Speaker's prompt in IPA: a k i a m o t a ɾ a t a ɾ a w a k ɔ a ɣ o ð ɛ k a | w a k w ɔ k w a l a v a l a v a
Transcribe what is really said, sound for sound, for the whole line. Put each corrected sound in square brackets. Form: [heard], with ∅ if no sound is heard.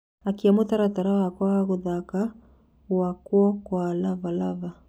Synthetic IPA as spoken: a k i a m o t a ɾ a t a ɾ a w a k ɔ a ɣ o ð [a] k a | w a k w ɔ k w a l a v a l a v a